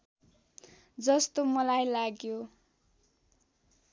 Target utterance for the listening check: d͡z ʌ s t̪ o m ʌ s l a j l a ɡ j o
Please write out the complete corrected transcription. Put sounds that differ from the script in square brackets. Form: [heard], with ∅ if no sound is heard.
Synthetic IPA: d͡z ʌ s t̪ o m ʌ [∅] l a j l a ɡ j o